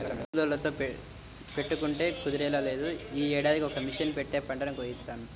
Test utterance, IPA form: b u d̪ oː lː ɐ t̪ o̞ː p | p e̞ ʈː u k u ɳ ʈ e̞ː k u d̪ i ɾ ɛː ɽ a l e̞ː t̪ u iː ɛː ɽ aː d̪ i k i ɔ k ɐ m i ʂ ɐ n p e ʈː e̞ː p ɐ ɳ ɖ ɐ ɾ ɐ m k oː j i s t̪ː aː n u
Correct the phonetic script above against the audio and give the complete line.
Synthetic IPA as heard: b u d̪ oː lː ɐ t̪ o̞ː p | p e̞ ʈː u k u ɳ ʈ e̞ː k u d̪ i ɾ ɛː l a l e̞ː d̪ u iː ɛː ɽ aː d̪ i k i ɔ k ɐ m i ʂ ɐ n p e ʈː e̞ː p ɐ ɳ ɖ ɐ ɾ ɐ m k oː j i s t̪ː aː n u